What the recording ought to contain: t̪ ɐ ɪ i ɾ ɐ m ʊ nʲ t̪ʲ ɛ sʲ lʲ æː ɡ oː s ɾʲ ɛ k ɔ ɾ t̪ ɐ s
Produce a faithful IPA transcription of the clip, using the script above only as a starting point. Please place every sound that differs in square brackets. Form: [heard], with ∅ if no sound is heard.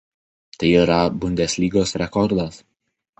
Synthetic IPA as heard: t̪ ɐ ɪ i ɾ ɐ [b] ʊ nʲ [d̪ʲ] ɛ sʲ lʲ [iː] ɡ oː s ɾʲ ɛ k ɔ ɾ [d̪] ɐ s